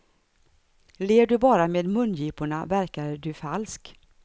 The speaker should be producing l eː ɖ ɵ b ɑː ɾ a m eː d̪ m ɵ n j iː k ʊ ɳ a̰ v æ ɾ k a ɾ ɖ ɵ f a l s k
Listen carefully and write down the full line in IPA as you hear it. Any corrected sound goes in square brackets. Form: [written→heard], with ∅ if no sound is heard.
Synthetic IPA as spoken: l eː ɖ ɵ b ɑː ɾ a m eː d̪ m ɵ n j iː [k→p] ʊ ɳ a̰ v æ ɾ k a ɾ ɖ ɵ f a l s k